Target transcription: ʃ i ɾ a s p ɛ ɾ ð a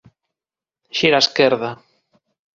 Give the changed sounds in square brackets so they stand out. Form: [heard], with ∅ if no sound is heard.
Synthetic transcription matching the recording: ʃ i ɾ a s [k] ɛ ɾ ð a